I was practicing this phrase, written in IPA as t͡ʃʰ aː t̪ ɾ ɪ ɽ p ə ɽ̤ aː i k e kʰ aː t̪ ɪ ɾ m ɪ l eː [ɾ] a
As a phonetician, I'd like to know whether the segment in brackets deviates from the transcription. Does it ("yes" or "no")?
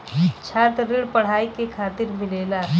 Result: yes